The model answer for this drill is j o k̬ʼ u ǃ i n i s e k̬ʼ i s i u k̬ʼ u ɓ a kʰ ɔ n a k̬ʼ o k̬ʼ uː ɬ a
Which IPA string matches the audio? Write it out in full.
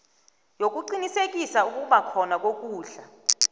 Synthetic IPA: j o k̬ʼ u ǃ i n i s e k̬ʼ i s a u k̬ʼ u ɓ a kʰ ɔ n a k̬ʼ o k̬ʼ uː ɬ a